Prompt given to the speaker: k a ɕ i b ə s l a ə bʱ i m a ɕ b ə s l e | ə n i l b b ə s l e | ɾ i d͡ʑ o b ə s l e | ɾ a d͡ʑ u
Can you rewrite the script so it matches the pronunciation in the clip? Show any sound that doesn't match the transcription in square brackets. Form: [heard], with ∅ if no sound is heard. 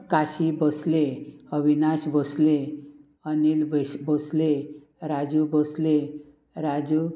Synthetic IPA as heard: k a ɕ i b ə s l [e] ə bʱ i [n] a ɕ b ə s l e | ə n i l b b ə s l e | ɾ [a] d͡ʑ [u] b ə s l e | ɾ a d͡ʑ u